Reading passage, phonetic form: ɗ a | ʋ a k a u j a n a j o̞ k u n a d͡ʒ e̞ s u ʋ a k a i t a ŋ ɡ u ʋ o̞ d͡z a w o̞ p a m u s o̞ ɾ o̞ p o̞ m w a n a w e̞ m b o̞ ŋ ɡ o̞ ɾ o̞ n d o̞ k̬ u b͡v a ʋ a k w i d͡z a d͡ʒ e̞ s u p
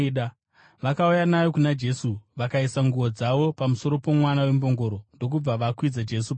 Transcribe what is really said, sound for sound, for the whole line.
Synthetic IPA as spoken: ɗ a | ʋ a k a u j a n a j o̞ k u n a d͡ʒ e̞ s u ʋ a k a i s a ŋ ɡ u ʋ o̞ d͡z a ʋ o̞ p a m u s o̞ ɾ o̞ p o̞ m w a n a w e̞ m b o̞ ŋ ɡ o̞ ɾ o̞ n d o̞ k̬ u b͡v a ʋ a k w i d͡z a d͡ʒ e̞ s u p

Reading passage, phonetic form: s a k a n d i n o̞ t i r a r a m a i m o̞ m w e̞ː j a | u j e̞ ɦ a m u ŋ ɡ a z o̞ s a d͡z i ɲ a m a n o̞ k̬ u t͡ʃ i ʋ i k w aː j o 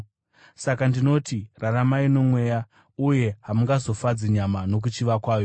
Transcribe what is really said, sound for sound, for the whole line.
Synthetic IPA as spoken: s a k a n d i n o̞ t i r a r a m a i n o̞ m w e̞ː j a | u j e̞ ɦ a m u ŋ ɡ a z o̞ f a d͡z i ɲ a m a n o̞ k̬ u t͡ʃ i ʋ a k w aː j o

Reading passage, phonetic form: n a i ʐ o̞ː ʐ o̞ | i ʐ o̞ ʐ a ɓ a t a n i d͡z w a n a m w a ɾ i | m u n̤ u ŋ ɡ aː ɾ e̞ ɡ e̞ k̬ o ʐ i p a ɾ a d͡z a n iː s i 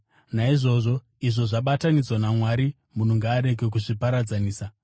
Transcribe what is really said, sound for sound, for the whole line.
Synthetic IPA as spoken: n a i ʐ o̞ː ʐ o̞ | i ʐ o̞ ʐ a ɓ a t a n i d͡z w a n a m w a ɾ i | m u n̤ u ŋ ɡ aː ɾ e̞ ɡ e̞ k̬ u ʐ i p a ɾ a d͡z a n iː s a

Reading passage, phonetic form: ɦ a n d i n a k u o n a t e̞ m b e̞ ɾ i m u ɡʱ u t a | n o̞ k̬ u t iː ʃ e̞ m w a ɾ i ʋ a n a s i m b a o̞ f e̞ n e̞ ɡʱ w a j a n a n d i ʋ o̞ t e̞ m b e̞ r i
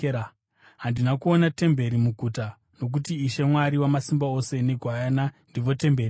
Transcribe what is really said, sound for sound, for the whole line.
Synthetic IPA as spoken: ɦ a n d i n a k u o n a t e̞ m b e̞ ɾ i m u ɡʱ u t a | n o̞ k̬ u t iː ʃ e̞ m w a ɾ i w a m a s i m b a o̞ s e̞ n e̞ ɡʱ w a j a n a n d i ʋ o̞ t e̞ m b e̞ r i

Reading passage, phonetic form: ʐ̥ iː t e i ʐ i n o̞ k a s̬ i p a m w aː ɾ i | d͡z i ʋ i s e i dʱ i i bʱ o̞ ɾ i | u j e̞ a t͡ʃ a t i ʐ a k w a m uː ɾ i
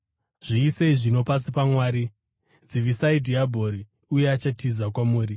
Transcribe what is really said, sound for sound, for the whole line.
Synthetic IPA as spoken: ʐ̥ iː s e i ʐ i n o̞ p a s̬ i p a m w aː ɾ i | d͡z i ʋ i s a i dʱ i a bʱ o̞ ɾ i | u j e̞ a t͡ʃ a t i z a k w a m uː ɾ i

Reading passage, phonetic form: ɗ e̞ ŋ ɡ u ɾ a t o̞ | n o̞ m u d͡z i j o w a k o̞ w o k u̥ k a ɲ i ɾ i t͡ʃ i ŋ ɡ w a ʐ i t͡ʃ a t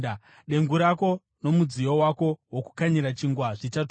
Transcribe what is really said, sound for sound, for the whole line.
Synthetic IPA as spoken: ɗ e̞ ŋ ɡ u ɾ a k o̞ | n o̞ m u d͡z i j o w a k o̞ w o k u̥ k a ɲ i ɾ a t͡ʃ i ŋ ɡ w a ʐ i t͡ʃ a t

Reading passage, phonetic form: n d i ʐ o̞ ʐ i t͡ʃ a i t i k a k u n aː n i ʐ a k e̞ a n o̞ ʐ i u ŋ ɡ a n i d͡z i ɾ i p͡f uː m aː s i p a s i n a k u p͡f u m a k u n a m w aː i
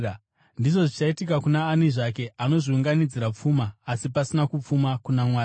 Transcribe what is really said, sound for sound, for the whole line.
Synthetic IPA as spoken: n d i ʐ o̞ ʐ i t͡ʃ a i t i k a k u n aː n i ʐ a k e̞ a n o̞ ʐ i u ŋ ɡ a n i d͡z i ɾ a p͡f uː m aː s i p a s i n a k u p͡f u m a k u n a m w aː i

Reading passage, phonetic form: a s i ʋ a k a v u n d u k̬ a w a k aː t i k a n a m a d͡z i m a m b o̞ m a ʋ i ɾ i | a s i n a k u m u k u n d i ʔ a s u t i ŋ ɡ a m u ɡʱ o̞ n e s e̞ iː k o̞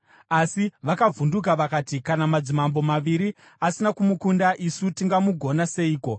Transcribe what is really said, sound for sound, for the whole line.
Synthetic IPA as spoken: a s i ʋ a k a v u n d u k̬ a ʋ a k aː t i k a n a m a d͡z i m a m b o̞ m a ʋ i ɾ i | a s i n a k u m u k u n d a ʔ i s u t i ŋ ɡ a m u ɡʱ o̞ n a s e̞ iː k o̞

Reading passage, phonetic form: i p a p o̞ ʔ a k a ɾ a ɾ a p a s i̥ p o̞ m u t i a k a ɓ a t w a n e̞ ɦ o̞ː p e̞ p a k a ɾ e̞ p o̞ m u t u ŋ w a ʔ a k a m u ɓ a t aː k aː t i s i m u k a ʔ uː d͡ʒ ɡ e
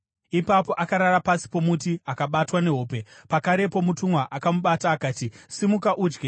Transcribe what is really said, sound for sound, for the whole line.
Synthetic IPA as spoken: i p a p o̞ ʔ a k a ɾ a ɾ a p a s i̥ p o̞ m u t i a k a ɓ a t w a n e̞ ɦ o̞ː p e̞ p a k a ɾ e̞ p o̞ m u t u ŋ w a ʔ a k a m u ɓ a t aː k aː t i s i m u k a ʔ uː d͡ʒ ɡ e

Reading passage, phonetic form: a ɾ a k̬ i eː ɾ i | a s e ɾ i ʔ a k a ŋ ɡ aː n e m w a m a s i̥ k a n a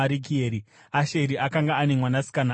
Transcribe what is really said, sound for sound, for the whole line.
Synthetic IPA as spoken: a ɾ i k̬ i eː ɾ i | a ʃ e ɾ i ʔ a k a ŋ ɡ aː n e m w a n a s i̥ k a n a

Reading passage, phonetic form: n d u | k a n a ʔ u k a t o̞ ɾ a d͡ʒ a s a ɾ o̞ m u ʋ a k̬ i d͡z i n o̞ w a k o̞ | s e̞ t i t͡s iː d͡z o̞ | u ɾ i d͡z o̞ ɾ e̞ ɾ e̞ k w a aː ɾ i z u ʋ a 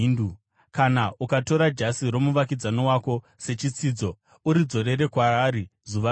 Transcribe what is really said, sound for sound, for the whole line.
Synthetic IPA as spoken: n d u | k a n a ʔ u k a t o̞ ɾ a d͡ʒ a s i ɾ o̞ m u ʋ a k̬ i d͡z a n o̞ w a k o̞ | s e̞ t͡ʃ i t͡s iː d͡z o̞ | u ɾ i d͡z o̞ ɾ e̞ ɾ e̞ k w a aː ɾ i z u ʋ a

